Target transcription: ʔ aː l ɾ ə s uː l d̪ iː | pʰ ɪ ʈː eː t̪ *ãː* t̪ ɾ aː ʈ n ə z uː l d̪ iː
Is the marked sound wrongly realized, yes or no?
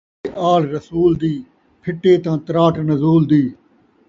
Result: no